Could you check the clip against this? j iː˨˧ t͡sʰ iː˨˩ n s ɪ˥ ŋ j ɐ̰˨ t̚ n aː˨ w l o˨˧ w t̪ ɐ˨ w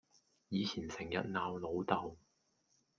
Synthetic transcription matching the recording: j iː˨˧ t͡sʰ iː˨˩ n s ɪ˨˩ ŋ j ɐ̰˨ t̚ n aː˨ w l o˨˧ w t̪ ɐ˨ w

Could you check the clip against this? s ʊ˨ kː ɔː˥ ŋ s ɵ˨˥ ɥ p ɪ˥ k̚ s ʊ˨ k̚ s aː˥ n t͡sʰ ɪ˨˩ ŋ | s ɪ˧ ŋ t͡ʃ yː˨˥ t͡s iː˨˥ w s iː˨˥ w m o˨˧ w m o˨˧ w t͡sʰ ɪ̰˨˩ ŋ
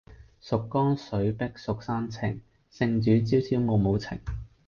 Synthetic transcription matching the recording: s ʊ˨ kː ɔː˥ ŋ s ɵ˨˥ ɥ p ɪ˥ k̚ s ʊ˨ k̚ s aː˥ n t͡sʰ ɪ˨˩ ŋ | s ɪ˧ ŋ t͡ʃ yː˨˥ t͡s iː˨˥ w s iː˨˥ w m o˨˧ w m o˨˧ w t͡sʰ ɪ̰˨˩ ŋ

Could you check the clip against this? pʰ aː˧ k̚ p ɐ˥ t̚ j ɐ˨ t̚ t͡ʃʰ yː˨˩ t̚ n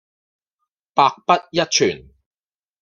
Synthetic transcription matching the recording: p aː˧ k̚ p ɐ˥ t̚ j ɐ˥ t̚ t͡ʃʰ yː˨˩ n

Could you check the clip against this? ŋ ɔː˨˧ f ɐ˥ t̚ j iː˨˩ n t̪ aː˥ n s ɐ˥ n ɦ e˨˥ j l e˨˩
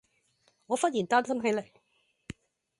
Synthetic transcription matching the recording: ŋ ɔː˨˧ f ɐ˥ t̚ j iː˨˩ n t̪ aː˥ n s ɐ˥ m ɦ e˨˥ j l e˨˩

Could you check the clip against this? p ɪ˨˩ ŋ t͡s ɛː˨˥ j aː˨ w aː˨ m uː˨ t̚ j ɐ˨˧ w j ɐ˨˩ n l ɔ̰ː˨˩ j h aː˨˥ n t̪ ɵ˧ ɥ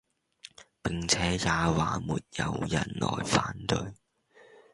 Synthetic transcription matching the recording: p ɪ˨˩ ŋ t͡sʰ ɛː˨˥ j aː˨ w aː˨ m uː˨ t̚ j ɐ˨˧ w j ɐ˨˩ n l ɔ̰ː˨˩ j f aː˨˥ n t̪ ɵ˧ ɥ

